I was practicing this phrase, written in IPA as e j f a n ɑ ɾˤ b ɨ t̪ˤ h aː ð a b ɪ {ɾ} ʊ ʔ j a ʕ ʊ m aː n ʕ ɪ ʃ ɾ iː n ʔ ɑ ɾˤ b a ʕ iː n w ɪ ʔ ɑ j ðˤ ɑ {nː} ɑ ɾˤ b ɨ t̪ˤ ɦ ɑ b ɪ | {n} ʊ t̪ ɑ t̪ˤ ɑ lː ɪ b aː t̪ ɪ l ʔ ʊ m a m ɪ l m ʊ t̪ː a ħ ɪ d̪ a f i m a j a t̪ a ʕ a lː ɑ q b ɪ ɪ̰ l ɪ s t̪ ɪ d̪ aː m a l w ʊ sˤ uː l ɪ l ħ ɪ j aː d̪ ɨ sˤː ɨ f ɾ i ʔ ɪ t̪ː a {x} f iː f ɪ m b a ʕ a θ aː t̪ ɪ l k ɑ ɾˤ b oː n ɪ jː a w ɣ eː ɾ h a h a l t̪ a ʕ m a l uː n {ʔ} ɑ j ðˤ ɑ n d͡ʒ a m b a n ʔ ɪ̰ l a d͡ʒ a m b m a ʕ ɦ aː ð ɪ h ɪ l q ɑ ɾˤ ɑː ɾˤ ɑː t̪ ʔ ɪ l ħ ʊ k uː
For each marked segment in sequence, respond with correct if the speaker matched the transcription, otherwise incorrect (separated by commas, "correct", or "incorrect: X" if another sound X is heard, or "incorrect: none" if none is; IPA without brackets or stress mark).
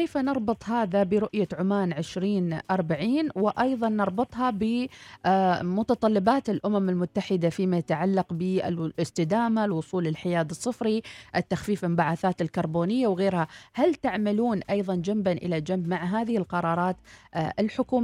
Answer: correct, correct, incorrect: m, correct, correct